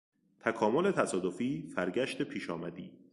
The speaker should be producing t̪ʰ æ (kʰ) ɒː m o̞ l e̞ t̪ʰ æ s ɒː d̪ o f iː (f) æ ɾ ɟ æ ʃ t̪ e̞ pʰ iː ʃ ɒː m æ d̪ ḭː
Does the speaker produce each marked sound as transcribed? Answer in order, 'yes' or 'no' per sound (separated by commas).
yes, yes